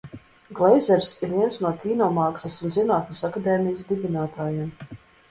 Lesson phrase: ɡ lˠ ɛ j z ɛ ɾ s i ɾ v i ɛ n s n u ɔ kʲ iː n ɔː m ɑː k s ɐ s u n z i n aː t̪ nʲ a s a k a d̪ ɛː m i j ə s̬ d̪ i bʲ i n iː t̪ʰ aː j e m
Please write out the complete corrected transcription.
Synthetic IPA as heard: ɡ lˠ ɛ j z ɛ ɾ s i ɾ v i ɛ n s n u ɔ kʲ iː n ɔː m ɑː k s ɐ s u n z i n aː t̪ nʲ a s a k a d̪ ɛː m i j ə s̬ d̪ i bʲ i n aː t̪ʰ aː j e m